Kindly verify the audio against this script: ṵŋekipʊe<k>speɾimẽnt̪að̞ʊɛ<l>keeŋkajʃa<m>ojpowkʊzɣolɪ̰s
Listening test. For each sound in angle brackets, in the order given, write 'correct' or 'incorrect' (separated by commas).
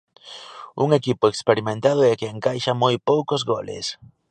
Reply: correct, incorrect, correct